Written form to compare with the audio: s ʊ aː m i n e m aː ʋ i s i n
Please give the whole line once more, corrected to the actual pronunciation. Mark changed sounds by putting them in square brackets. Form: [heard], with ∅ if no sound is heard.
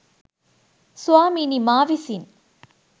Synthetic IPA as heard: s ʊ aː m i n [i] m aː ʋ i s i n